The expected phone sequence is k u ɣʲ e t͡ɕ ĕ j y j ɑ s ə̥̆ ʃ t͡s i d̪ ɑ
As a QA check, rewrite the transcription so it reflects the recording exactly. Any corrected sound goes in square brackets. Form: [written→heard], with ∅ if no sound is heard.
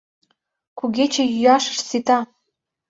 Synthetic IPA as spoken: k u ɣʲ e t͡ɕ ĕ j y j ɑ [s→ʃ] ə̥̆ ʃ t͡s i [d̪→t̪] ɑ